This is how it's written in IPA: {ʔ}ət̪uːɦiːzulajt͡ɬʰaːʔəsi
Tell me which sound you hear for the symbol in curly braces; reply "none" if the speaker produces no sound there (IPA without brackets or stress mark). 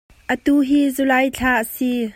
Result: ʔ